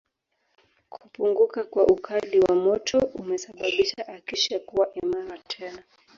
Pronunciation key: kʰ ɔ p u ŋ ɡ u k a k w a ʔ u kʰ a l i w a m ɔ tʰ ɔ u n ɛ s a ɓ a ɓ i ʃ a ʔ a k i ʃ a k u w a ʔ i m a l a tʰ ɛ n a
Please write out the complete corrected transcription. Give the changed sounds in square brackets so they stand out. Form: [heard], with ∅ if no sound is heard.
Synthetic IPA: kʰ [u] p u ŋ ɡ u k a k w a ʔ u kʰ a l i w a m ɔ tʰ ɔ u [m] ɛ s a ɓ a ɓ i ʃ a ʔ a k i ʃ a k u w a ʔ i m a [ɾ] a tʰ ɛ n a

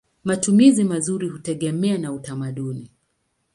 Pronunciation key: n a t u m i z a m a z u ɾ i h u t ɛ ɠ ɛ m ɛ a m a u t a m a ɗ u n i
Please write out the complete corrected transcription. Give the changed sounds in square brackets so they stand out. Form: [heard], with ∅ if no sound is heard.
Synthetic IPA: [m] a t u m i z [i] m a z u ɾ i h u t ɛ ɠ ɛ m ɛ a [n] a u t a m a ɗ u n i

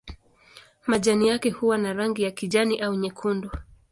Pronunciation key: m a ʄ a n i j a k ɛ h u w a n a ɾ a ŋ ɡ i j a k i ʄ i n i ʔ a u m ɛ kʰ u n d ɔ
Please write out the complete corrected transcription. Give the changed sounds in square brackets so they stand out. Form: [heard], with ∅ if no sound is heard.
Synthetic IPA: m a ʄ a n i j a k ɛ h u w a n a ɾ a ŋ ɡ i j a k i ʄ [a] n i ʔ a u [ɲ] ɛ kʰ u n d ɔ

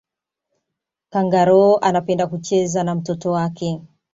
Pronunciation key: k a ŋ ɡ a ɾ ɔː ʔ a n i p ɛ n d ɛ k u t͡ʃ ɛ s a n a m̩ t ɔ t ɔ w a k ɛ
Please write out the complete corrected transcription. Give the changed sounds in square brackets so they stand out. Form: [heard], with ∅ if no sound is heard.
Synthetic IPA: k a ŋ ɡ a ɾ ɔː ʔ a n [a] p ɛ n d [a] k u t͡ʃ ɛ [z] a n a m̩ t ɔ t ɔ w a k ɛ

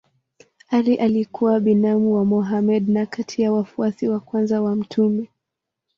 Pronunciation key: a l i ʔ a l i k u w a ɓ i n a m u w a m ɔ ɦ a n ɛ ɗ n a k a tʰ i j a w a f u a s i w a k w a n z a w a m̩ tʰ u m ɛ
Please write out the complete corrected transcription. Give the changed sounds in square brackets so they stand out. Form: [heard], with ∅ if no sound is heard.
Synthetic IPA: a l i ʔ a l i k u w a ɓ i n a m u w a m ɔ ɦ a [m] ɛ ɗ n a k a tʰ i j a w a f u a s i w a k w a n z a w a m̩ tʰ u m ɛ

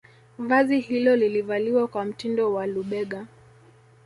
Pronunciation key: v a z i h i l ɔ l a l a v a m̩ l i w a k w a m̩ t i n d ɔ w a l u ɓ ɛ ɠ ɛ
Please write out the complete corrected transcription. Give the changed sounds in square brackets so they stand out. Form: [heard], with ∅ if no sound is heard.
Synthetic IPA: v a z i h i l ɔ l [i] l [i] v a [∅] l i w a k w a m̩ t i n d ɔ w a l u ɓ ɛ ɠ [a]

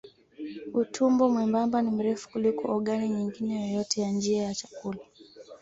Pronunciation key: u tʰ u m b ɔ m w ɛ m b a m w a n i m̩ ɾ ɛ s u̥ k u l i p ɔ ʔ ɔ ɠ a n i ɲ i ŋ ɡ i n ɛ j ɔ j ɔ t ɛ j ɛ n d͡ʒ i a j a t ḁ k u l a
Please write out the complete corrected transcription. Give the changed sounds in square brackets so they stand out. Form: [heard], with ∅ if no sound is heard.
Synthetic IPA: u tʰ u m b ɔ m w ɛ m b a m [b] a n i m̩ ɾ ɛ [f] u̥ k u l i [k] ɔ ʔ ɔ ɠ a n i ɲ i ŋ ɡ i n ɛ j ɔ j ɔ t ɛ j [a] n d͡ʒ i a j a [t͡ʃ] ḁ k u l a

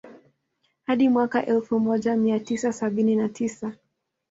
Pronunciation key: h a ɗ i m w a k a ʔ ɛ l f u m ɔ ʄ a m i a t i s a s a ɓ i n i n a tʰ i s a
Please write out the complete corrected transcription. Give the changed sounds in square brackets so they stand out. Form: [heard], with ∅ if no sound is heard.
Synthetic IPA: h a ɗ i m w a k a ʔ ɛ l f u m ɔ ʄ a m i a t i s a s a ɓ i n i n a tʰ i s a

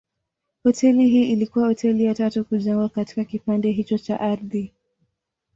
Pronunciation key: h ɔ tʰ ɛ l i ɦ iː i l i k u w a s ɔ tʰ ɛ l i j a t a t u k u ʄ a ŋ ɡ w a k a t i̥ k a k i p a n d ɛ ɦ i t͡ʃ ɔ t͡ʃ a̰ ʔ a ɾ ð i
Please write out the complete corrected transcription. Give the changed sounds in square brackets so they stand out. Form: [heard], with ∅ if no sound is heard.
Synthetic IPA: h ɔ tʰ ɛ l i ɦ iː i l i k u w a [h] ɔ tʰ ɛ l i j a t a t u k u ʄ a ŋ ɡ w a k a t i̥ k a k i p a n d ɛ ɦ i t͡ʃ ɔ t͡ʃ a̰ ʔ a ɾ ð i

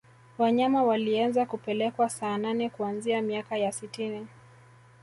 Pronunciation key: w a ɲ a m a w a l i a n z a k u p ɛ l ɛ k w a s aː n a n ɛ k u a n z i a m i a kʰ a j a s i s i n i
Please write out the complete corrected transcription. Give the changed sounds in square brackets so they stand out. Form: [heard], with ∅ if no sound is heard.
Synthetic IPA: w a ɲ a m a w a l i a n z a k u p ɛ l ɛ k w a s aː n a n ɛ k u a n z i a m i a [k] a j a s i [t] i n i

